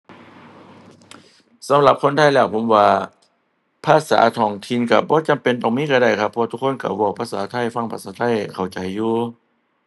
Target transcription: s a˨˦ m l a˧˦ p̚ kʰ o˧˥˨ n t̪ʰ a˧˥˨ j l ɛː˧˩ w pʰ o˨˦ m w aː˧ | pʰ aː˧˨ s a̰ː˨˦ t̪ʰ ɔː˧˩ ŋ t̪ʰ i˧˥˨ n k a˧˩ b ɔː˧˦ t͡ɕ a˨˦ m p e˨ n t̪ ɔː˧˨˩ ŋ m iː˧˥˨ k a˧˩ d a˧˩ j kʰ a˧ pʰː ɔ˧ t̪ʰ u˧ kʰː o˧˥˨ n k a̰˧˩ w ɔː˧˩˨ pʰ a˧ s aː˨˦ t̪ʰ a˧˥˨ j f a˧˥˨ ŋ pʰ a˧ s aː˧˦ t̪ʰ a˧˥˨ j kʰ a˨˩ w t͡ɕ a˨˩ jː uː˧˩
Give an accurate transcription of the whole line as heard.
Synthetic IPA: s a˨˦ m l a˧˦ p̚ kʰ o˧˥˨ n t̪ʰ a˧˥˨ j l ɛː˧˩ w pʰ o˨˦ m w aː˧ | pʰ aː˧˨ s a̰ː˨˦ t̪ʰ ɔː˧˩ ŋ t̪ʰ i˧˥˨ n k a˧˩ b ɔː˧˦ t͡ɕ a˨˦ m p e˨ n t̪ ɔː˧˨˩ ŋ m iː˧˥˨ k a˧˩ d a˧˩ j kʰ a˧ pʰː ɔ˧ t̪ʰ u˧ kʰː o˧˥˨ n k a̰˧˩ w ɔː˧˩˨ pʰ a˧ s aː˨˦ t̪ʰ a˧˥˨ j f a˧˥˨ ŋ pʰ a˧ s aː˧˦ t̪ʰ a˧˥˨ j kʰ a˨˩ w t͡ɕ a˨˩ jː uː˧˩